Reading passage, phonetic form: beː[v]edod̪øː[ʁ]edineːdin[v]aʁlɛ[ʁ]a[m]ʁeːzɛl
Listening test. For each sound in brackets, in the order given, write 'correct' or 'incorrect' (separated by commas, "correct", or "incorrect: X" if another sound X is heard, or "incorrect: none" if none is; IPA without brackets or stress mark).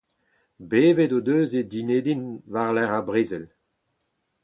correct, incorrect: z, correct, correct, incorrect: b